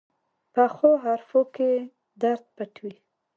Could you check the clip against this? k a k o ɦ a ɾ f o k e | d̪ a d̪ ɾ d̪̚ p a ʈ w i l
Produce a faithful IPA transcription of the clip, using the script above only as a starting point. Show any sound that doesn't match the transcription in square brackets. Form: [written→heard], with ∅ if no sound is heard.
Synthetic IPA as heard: [k→p] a [k→x] o ɦ a ɾ f o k e | d̪ a [d̪→∅] ɾ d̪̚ p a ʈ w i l

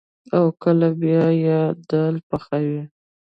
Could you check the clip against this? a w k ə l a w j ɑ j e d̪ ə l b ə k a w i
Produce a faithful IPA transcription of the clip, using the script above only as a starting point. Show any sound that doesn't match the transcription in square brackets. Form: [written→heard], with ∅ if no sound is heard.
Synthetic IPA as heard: a w k ə l a [w→b] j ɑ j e d̪ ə l [b→p] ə [k→x] a w i

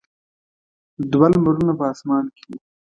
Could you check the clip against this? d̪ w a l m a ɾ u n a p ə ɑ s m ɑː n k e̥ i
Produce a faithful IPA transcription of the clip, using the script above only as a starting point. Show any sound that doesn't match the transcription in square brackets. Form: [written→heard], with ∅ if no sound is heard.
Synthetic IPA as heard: d̪ w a l m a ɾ u n a p ə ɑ s m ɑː n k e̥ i

